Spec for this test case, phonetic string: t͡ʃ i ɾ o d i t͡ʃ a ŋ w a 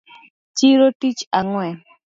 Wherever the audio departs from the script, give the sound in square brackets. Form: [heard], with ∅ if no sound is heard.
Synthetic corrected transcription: t͡ʃ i ɾ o [t] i t͡ʃ a ŋ w [ɛ]